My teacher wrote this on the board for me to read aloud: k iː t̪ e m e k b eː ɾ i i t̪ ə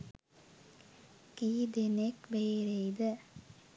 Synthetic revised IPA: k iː d̪ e n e k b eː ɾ e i d̪ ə